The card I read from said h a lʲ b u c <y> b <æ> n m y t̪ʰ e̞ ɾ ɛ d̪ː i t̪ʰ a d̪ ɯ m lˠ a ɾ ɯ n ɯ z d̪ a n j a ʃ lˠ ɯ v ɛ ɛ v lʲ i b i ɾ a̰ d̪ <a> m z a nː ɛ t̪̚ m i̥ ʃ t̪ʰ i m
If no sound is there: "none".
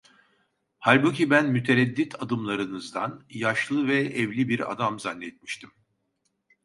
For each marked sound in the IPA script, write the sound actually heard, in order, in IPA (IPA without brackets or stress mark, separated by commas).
i, æ, a